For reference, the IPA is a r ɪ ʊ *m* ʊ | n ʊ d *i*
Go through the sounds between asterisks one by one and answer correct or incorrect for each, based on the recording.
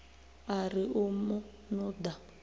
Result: correct, incorrect

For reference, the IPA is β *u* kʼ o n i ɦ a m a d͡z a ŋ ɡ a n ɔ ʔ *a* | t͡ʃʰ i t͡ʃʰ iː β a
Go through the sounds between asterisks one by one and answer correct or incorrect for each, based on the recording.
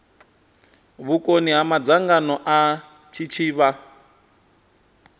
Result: correct, correct

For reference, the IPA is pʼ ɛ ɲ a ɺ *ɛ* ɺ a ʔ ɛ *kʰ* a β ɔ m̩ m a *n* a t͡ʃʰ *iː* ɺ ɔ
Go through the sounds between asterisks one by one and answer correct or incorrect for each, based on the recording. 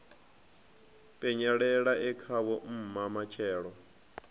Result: correct, correct, incorrect, incorrect

